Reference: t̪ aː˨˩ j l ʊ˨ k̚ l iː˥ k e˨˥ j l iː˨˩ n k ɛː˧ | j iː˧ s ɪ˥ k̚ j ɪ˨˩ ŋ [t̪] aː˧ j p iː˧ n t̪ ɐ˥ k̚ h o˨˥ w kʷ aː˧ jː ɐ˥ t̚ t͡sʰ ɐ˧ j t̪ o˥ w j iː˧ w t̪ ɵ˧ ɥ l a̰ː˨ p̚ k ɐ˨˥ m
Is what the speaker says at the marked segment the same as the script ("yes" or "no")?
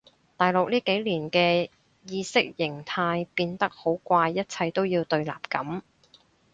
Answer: no